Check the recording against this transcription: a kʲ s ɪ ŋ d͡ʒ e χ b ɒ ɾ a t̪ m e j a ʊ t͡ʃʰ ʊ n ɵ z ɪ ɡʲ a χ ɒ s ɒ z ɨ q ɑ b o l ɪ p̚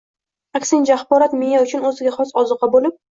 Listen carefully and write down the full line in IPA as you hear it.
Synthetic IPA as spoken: a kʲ s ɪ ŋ d͡ʒ a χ b ɒ ɾ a t̪ m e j a ʊ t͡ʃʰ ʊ n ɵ z ɪ ɡʲ a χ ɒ s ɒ z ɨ q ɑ b o l ɪ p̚